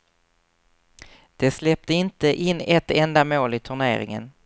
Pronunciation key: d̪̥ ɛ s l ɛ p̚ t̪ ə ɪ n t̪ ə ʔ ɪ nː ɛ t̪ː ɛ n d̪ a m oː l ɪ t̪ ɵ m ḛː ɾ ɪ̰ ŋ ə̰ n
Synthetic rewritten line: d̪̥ ɛ s l ɛ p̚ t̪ ə ɪ n t̪ ə ʔ ɪ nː ɛ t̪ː ɛ n d̪ a m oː l ɪ t̪ʰ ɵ ɳ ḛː ɾ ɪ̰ ŋ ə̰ n